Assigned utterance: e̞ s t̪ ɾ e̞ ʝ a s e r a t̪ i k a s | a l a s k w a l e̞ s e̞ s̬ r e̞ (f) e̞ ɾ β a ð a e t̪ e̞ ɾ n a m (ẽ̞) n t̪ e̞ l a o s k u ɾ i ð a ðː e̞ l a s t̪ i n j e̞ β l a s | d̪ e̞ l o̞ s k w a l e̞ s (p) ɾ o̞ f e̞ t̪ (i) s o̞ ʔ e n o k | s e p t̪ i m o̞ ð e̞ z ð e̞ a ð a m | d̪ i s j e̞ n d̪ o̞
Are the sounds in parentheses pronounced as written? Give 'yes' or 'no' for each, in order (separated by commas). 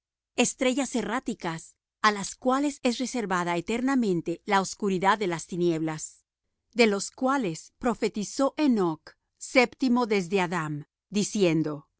no, yes, yes, yes